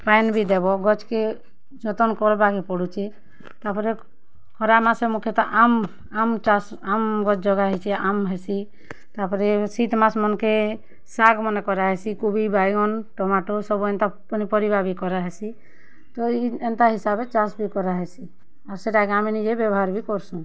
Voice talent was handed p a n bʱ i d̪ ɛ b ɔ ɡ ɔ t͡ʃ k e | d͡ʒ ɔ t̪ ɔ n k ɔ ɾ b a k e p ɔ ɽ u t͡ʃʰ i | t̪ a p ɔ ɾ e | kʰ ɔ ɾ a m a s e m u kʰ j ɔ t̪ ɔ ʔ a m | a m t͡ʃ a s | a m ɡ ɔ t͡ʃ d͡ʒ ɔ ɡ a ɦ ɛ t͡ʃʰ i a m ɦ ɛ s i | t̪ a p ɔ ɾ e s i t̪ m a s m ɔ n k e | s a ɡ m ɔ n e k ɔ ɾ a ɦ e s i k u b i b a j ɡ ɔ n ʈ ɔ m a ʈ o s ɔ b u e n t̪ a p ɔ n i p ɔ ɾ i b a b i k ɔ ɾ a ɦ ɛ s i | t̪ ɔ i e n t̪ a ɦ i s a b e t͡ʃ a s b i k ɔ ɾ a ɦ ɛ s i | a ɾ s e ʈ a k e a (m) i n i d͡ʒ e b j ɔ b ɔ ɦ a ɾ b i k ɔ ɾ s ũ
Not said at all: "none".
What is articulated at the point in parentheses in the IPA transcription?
m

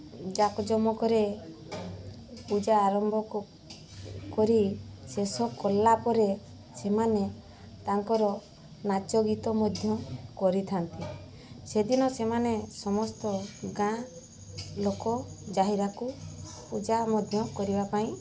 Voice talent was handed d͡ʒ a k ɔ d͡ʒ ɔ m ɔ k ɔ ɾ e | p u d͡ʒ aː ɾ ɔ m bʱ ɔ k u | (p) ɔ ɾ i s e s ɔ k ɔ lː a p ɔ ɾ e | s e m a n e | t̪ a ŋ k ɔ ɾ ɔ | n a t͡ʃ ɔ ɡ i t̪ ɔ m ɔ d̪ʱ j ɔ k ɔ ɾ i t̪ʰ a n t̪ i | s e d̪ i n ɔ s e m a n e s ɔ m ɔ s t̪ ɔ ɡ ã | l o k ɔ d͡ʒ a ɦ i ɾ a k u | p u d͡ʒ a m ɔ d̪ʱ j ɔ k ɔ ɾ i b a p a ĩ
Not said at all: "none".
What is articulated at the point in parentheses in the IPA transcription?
k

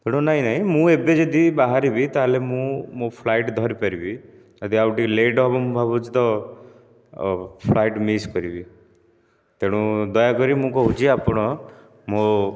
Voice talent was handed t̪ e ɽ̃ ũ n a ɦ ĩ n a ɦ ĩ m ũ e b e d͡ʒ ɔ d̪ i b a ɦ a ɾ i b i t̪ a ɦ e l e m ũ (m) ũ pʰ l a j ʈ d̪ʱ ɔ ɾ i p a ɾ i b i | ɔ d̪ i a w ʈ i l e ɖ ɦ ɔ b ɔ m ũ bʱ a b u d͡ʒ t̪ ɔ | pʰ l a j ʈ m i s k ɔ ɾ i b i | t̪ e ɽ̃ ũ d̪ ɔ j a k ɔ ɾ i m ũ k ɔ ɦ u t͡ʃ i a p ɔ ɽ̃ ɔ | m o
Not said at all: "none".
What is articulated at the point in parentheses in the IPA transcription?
m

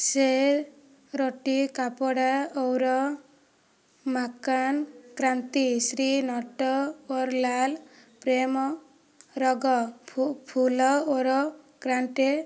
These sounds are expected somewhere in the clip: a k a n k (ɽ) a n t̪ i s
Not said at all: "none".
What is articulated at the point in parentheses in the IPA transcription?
ɾ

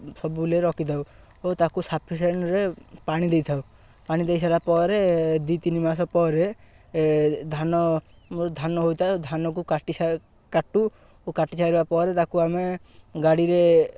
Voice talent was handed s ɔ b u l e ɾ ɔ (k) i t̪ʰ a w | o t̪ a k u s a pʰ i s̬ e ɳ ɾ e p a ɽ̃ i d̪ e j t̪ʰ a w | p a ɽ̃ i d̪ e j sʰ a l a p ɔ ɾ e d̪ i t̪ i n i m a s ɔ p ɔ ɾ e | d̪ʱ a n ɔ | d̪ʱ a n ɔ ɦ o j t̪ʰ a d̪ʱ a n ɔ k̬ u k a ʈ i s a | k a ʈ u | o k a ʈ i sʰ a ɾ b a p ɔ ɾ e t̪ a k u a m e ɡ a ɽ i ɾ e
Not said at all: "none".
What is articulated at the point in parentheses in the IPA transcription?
k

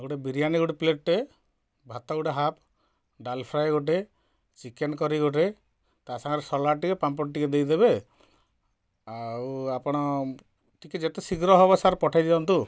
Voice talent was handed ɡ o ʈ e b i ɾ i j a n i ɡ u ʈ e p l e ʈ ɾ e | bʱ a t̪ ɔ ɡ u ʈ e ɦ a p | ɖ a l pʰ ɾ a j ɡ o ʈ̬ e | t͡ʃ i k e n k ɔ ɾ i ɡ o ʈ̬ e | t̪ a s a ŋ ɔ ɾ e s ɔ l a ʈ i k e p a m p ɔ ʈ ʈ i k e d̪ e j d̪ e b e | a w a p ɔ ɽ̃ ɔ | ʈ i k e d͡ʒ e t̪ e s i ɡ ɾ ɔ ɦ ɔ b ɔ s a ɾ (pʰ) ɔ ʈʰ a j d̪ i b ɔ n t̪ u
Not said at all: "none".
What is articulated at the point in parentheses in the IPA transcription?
p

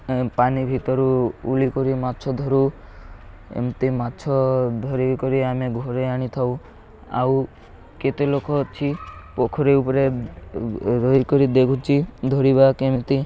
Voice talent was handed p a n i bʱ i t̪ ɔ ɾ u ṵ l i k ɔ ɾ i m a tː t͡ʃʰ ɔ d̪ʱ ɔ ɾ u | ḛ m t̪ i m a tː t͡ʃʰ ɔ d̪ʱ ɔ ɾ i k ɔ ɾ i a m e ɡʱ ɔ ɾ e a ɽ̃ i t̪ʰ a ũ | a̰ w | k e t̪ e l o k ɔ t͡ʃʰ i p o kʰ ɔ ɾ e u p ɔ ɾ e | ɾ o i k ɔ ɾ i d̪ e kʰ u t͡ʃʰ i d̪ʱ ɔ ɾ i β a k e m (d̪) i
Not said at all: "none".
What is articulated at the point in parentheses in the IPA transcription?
t̪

